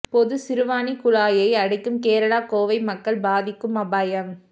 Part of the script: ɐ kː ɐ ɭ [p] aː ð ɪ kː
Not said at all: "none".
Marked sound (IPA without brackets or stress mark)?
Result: b